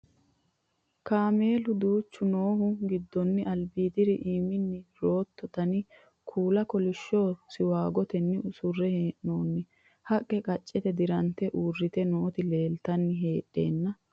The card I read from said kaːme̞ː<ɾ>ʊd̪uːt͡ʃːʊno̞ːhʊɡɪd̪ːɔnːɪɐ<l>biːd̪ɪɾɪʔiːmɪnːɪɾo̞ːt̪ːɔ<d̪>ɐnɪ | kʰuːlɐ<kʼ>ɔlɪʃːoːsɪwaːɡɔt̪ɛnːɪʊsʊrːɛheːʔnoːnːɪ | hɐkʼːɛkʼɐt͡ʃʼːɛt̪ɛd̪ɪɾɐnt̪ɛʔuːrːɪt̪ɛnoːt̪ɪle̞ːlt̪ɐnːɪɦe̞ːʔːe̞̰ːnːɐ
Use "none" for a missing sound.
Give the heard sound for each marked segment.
l, l, t̪, k

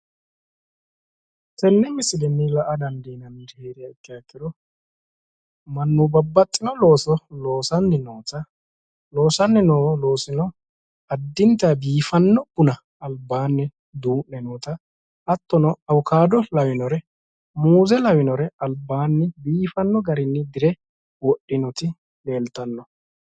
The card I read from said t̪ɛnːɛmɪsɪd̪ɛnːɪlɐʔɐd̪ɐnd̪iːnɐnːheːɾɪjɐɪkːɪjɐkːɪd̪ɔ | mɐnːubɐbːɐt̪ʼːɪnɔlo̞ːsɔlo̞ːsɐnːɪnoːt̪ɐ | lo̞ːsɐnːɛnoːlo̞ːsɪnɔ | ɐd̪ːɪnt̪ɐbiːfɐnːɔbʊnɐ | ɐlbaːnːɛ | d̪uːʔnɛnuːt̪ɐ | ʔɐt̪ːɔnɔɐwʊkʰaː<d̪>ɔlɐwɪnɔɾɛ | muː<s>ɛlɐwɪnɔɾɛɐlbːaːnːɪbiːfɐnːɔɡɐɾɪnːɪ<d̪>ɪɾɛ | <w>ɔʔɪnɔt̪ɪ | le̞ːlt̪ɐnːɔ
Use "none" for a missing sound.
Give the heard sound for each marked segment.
d̪, z, d̪, w

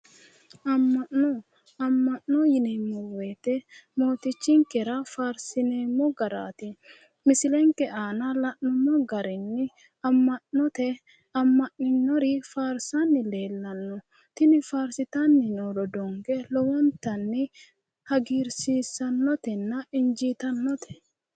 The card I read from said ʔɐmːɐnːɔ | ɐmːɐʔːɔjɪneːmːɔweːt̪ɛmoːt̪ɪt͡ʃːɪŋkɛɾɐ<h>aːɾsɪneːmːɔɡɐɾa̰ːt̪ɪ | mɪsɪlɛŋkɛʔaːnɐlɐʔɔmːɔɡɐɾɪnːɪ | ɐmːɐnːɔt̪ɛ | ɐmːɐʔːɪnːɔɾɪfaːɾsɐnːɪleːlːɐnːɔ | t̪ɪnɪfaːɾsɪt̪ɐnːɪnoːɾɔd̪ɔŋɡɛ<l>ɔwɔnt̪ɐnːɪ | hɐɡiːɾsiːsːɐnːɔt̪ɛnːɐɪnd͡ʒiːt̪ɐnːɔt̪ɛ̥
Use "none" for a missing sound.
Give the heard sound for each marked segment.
f, l

